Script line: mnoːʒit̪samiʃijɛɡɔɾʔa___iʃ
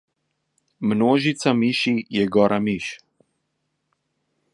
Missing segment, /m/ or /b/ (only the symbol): m